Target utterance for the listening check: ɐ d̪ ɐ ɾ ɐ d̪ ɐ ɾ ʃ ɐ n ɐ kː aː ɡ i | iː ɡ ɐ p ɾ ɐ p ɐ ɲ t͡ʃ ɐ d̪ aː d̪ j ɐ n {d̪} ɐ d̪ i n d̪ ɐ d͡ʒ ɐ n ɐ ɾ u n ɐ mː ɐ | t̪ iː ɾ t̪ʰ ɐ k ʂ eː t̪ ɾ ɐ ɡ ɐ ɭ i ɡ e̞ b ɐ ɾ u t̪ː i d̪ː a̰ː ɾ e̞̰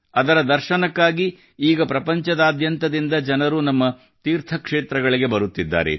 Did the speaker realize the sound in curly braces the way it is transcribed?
no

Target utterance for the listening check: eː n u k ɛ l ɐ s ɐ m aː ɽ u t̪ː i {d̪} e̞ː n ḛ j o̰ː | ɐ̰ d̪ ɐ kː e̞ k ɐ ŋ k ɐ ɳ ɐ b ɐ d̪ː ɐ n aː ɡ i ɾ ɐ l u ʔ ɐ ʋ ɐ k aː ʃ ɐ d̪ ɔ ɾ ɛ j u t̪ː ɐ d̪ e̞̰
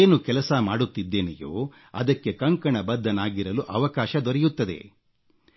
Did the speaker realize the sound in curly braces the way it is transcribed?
no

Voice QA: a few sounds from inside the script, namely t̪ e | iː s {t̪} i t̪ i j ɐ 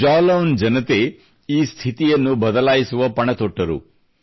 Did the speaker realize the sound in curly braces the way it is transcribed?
no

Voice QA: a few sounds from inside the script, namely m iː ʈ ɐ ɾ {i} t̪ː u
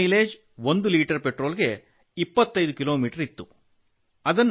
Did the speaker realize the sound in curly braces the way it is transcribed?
yes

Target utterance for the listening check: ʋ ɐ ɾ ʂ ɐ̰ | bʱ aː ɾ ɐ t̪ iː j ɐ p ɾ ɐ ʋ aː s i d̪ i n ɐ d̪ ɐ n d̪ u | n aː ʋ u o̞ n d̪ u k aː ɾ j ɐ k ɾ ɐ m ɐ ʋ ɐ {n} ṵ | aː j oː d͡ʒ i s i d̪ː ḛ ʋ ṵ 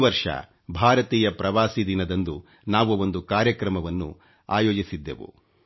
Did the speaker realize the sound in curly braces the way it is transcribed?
no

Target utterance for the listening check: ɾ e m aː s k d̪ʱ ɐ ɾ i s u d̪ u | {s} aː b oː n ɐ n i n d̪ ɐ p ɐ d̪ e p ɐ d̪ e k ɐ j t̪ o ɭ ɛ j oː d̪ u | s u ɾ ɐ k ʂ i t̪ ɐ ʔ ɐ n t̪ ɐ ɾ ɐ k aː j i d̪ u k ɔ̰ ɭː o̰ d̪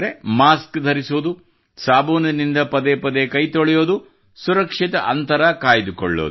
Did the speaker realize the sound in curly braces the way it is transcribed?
yes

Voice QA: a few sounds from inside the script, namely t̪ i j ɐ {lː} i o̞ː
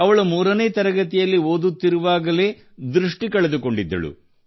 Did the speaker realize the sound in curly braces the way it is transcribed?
yes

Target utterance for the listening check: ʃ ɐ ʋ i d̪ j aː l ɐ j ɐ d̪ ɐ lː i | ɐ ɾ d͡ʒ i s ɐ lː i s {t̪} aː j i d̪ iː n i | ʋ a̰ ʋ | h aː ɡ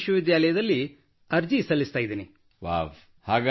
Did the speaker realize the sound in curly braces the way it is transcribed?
yes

